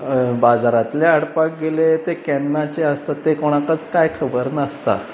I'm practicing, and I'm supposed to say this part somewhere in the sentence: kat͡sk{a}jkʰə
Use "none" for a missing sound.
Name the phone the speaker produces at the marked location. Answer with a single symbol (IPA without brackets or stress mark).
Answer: a